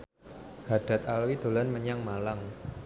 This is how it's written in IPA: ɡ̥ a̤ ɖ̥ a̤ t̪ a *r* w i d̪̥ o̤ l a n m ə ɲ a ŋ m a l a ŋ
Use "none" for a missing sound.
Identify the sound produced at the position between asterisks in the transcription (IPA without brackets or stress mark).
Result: l